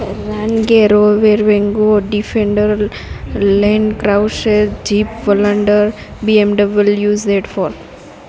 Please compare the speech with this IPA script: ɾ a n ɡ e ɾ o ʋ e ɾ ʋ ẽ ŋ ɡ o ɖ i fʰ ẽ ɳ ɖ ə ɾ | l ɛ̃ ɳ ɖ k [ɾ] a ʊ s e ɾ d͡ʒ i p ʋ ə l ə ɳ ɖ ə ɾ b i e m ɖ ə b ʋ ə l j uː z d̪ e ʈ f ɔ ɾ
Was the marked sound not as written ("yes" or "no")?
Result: no